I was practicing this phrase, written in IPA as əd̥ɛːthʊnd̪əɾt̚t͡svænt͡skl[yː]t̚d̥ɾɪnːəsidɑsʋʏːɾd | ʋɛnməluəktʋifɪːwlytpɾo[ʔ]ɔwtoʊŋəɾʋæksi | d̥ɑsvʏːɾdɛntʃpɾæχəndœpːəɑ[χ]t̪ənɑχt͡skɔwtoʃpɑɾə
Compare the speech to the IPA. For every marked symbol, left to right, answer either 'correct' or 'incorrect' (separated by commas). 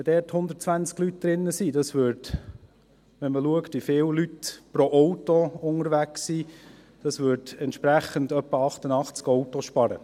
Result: incorrect, correct, correct